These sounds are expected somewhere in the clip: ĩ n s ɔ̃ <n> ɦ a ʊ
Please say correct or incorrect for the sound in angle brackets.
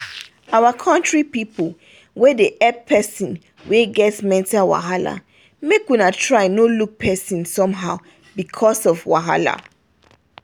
incorrect